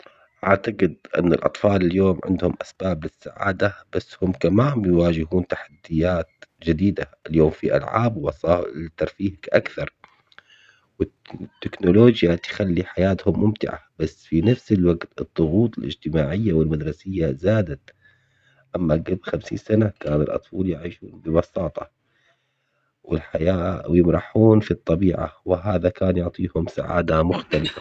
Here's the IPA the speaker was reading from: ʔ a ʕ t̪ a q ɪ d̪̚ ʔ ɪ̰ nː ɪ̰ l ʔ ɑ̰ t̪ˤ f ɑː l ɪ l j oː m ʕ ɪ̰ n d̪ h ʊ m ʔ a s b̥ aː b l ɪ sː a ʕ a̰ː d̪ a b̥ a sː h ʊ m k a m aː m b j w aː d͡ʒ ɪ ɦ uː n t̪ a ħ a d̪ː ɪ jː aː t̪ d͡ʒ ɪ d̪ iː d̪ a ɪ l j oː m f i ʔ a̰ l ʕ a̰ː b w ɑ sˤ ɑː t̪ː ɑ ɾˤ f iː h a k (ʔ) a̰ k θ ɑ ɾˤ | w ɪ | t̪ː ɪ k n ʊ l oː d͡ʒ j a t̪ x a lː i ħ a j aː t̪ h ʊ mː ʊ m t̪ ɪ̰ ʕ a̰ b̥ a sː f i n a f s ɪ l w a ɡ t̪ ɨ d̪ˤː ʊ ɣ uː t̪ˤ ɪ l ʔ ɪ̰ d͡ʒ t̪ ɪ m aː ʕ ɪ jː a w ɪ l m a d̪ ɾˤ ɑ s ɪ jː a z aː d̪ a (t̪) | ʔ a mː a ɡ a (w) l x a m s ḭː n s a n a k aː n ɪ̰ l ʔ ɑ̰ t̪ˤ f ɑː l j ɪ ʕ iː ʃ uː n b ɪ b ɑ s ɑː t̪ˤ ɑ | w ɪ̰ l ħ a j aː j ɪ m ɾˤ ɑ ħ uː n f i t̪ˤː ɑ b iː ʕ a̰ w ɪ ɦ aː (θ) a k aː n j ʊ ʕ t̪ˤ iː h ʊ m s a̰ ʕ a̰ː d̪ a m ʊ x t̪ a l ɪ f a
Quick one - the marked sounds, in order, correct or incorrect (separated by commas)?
correct, correct, incorrect, incorrect